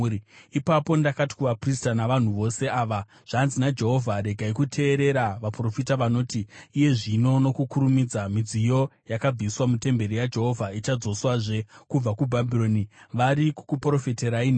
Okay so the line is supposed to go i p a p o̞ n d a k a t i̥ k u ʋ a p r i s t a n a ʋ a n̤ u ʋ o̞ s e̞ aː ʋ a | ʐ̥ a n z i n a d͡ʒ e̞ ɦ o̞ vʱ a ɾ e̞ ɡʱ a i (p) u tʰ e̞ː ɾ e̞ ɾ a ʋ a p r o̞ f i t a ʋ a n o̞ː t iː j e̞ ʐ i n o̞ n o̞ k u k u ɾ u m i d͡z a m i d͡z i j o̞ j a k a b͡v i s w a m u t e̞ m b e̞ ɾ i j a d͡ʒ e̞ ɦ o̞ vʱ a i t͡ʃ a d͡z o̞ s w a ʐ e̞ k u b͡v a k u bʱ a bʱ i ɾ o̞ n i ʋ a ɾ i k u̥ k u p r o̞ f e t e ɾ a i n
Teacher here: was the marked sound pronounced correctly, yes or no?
no